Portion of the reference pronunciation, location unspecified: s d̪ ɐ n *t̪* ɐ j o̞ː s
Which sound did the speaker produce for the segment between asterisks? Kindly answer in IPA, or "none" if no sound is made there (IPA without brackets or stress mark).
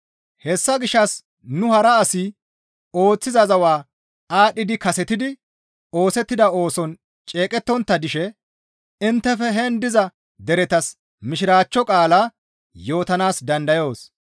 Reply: d̪